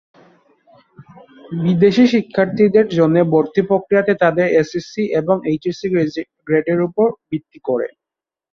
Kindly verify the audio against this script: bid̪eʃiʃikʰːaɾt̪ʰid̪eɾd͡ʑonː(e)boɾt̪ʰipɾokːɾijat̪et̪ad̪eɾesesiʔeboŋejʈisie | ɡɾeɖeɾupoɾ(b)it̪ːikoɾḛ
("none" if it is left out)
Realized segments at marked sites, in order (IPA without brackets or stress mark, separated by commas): e, b